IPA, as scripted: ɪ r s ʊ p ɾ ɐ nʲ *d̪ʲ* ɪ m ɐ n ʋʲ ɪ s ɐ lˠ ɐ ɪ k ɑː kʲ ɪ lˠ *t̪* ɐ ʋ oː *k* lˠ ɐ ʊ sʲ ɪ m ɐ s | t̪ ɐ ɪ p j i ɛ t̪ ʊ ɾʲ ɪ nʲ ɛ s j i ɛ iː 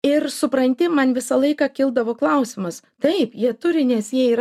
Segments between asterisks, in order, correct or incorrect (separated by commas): incorrect, incorrect, correct